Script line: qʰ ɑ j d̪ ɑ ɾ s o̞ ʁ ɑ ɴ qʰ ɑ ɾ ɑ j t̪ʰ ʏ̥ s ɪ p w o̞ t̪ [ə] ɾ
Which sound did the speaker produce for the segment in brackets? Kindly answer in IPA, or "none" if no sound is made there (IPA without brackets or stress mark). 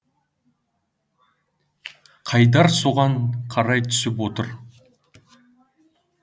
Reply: ə